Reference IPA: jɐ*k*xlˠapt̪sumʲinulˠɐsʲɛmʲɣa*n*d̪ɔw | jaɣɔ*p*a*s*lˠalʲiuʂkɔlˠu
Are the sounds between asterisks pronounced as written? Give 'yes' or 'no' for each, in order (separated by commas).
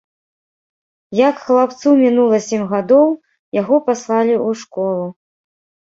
yes, no, yes, yes